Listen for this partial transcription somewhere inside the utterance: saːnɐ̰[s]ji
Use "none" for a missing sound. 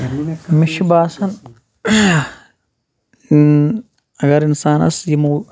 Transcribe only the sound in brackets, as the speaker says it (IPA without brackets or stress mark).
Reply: s